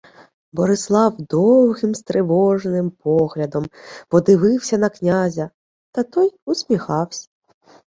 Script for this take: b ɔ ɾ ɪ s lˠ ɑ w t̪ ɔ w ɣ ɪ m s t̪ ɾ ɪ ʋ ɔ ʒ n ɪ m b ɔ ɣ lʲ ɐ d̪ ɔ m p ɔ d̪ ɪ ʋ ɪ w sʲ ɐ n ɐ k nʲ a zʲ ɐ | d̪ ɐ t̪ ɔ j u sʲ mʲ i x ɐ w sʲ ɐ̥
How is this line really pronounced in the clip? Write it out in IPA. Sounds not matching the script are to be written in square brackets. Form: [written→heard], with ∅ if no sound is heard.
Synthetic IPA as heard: b ɔ ɾ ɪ s lˠ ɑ w [t̪→d̪] ɔ w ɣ ɪ m s t̪ ɾ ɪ ʋ ɔ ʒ n ɪ m [b→p] ɔ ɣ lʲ ɐ d̪ ɔ m p ɔ d̪ ɪ ʋ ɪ w sʲ ɐ n ɐ k nʲ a zʲ ɐ | [d̪→t̪] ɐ t̪ ɔ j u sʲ mʲ i x [ɐ→ɑ] w sʲ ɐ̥

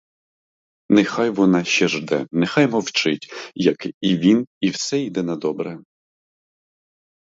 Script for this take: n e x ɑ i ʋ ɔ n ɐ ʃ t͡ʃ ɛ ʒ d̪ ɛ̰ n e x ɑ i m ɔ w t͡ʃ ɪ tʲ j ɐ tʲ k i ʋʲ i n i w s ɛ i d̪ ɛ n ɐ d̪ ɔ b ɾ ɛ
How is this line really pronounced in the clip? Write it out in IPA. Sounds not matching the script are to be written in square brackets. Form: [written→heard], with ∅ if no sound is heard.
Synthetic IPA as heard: n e x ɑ [i→j] ʋ ɔ n [ɐ→ɑ] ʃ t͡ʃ ɛ ʒ d̪ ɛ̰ n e x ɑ [i→j] m ɔ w t͡ʃ ɪ tʲ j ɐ [tʲ→∅] k i ʋʲ i n i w s ɛ i d̪ ɛ n ɐ d̪ ɔ b ɾ ɛ

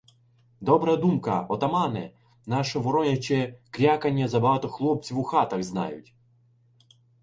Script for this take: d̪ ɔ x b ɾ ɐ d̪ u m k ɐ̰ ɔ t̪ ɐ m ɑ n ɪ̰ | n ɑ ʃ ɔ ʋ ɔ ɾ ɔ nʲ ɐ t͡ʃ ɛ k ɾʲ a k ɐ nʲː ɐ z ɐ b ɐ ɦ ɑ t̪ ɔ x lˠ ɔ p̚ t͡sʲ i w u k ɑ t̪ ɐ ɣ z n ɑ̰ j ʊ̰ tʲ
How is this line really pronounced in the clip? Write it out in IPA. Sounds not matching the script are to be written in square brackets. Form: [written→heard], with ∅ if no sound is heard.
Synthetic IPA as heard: d̪ ɔ [x→∅] b ɾ ɐ d̪ u m k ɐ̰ ɔ t̪ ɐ m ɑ n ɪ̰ | n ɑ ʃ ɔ ʋ ɔ ɾ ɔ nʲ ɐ t͡ʃ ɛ k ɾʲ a k ɐ nʲː ɐ z ɐ b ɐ ɦ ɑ t̪ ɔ x lˠ ɔ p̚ t͡sʲ i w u [k→x] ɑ t̪ ɐ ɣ z n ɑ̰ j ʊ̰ tʲ

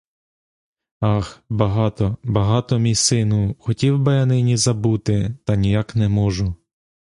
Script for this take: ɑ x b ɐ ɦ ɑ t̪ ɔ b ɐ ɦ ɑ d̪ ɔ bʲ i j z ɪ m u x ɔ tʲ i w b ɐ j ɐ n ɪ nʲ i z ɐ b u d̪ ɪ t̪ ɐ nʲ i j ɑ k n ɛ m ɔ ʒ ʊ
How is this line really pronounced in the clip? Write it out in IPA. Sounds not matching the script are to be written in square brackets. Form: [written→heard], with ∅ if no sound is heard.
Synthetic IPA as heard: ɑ x b ɐ ɦ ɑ t̪ ɔ b ɐ ɦ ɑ [d̪→t̪] ɔ [bʲ→mʲ] i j [z→s] ɪ [m→n] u x ɔ tʲ i w b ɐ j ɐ n ɪ nʲ i z ɐ b u [d̪→t̪] ɪ t̪ ɐ nʲ i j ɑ k n ɛ m ɔ ʒ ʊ

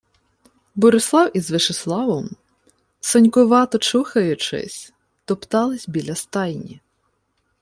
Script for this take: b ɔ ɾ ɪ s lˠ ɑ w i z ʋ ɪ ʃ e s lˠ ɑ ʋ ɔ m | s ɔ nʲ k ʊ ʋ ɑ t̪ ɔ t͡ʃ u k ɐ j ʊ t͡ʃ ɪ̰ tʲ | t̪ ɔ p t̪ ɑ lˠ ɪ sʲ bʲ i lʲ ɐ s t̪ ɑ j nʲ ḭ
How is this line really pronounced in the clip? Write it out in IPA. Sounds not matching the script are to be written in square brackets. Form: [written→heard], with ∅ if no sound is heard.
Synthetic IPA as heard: b ɔ ɾ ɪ s lˠ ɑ w i z ʋ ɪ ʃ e s lˠ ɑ ʋ ɔ m | s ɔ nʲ k ʊ ʋ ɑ t̪ ɔ t͡ʃ u [k→x] ɐ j ʊ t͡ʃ ɪ̰ [tʲ→sʲ] | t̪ ɔ p t̪ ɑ lˠ ɪ sʲ bʲ i lʲ ɐ s t̪ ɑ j nʲ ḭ

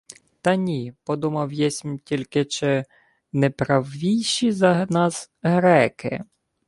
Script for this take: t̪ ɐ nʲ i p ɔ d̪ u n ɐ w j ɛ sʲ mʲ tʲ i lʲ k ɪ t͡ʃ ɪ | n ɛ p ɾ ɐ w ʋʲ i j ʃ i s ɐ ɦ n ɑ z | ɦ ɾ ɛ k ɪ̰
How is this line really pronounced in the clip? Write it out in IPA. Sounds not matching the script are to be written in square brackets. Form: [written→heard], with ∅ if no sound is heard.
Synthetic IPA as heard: t̪ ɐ nʲ i p ɔ d̪ u [n→m] ɐ w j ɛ sʲ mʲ tʲ i lʲ k ɪ t͡ʃ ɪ | n ɛ p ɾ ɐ w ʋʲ i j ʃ i [s→z] ɐ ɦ n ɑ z | ɦ ɾ ɛ k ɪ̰

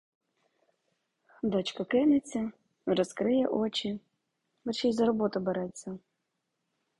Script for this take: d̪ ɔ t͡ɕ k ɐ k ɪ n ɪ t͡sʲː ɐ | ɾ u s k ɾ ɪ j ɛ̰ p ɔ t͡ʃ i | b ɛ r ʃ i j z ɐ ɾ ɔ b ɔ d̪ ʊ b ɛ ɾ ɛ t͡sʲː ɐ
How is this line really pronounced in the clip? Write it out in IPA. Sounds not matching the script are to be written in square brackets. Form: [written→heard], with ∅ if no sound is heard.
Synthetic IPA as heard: d̪ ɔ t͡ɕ k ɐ k ɪ n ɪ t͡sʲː ɐ | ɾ [u→ɔ] s k ɾ ɪ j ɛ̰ [p→ʔ] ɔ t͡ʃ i | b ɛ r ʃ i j z ɐ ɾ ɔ b ɔ [d̪→t̪] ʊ b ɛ ɾ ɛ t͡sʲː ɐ

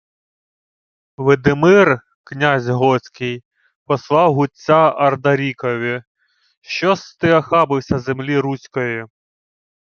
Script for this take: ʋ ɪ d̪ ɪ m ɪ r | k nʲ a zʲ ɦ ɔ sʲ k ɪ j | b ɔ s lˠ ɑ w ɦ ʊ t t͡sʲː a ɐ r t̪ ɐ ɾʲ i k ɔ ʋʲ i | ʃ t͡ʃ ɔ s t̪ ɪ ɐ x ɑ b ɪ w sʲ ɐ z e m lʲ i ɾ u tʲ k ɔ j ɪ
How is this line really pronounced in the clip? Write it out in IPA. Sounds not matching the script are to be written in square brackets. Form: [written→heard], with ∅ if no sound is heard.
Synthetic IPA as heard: ʋ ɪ d̪ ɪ m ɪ r | k nʲ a zʲ ɦ ɔ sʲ k ɪ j | [b→p] ɔ s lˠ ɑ w ɦ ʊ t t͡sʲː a ɐ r [t̪→d̪] ɐ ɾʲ i k ɔ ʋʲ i | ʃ t͡ʃ ɔ s t̪ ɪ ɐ x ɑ b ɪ w sʲ ɐ z e m lʲ i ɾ u [tʲ→sʲ] k ɔ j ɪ

